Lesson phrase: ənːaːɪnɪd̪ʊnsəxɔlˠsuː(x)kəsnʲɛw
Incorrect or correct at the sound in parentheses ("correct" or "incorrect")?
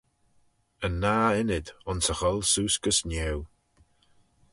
incorrect